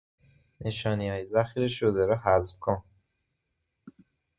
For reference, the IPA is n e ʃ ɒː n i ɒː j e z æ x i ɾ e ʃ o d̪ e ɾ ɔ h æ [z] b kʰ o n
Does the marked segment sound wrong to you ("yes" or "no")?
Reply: no